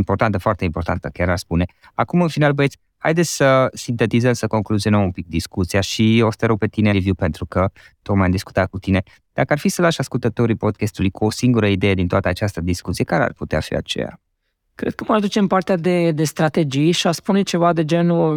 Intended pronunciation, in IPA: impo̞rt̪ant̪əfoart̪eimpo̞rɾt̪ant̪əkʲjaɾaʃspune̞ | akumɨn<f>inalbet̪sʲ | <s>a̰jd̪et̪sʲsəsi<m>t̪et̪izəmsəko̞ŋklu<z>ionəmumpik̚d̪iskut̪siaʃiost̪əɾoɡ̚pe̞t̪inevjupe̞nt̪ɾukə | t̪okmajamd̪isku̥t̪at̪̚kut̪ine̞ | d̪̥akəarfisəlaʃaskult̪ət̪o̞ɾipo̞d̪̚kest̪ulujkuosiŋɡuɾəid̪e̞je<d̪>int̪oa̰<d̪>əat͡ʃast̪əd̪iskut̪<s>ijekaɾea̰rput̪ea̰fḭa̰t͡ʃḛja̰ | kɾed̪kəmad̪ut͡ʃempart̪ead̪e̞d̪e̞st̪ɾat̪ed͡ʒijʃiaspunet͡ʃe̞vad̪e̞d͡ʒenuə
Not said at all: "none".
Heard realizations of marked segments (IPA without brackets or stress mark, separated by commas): f, h, n, z, d̪, t̪, s